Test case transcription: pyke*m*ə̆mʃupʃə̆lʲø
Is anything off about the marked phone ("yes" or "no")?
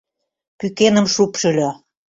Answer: yes